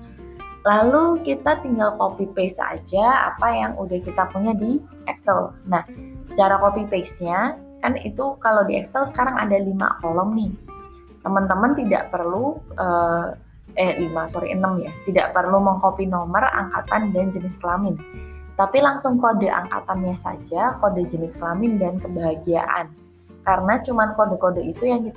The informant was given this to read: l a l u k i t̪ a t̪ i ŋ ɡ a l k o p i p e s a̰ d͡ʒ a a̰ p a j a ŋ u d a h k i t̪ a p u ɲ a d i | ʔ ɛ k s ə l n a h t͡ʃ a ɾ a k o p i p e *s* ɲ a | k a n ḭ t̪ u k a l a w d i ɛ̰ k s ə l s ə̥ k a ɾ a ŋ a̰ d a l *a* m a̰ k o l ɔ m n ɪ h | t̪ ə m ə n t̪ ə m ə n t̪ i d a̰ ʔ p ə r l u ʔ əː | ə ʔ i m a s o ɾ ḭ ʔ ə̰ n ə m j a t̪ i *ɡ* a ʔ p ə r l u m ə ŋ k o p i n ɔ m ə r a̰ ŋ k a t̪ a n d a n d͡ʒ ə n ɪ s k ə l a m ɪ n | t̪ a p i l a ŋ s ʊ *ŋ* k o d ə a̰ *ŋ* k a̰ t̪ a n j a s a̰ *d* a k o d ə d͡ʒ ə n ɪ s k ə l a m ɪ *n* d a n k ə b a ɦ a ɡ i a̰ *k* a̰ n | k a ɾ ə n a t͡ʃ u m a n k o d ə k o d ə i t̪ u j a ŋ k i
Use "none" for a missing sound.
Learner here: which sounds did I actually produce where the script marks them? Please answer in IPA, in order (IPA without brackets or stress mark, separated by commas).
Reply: s, i, d, ŋ, ŋ, d͡ʒ, n, ʔ